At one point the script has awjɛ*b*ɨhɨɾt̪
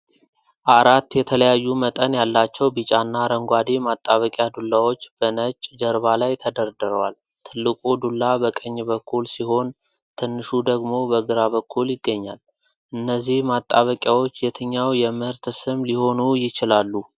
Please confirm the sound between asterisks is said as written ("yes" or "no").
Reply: no